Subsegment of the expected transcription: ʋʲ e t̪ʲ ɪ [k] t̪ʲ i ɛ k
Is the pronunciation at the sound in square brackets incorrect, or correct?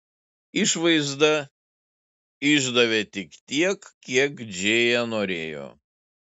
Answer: correct